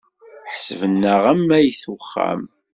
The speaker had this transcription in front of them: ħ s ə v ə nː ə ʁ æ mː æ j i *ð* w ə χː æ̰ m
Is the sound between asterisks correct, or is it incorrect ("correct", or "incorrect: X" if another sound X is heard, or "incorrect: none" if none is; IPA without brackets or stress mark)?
incorrect: θ